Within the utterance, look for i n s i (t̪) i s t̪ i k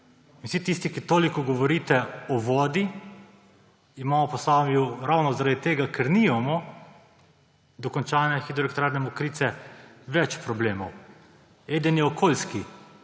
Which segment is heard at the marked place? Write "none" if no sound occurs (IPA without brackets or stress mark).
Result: t̪